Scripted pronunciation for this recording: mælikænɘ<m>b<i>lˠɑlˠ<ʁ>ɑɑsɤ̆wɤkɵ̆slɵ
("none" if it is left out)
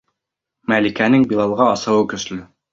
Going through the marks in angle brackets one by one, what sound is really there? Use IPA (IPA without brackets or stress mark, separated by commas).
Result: ŋ, i, ʁ